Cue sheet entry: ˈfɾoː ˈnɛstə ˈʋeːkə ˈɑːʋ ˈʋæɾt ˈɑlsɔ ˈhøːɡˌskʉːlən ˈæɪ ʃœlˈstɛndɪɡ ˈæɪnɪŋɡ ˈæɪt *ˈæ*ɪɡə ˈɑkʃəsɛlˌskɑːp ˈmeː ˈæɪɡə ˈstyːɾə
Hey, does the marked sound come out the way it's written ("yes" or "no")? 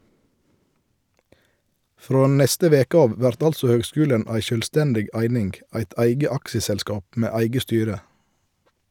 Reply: yes